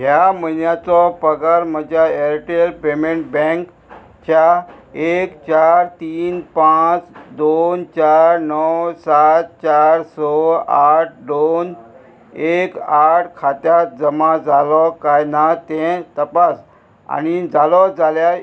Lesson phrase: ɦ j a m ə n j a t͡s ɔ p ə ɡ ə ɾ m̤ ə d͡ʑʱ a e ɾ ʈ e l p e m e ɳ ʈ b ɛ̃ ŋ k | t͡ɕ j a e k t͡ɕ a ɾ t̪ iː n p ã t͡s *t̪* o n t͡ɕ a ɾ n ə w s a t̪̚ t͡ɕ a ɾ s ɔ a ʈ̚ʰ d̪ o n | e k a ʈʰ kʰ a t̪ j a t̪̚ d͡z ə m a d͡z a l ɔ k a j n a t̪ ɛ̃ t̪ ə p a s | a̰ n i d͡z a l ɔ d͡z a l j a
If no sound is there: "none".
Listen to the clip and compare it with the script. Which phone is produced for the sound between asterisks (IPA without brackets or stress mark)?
d̪